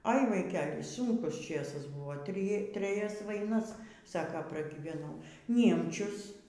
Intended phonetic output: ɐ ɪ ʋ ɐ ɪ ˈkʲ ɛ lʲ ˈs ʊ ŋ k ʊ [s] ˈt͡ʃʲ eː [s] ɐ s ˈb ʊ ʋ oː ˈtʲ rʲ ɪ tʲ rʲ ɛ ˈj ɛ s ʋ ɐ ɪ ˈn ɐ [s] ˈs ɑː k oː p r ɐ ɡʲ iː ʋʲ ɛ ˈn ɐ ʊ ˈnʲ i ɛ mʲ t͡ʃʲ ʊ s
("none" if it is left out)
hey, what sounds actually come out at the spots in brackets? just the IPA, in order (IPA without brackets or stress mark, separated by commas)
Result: s, s, s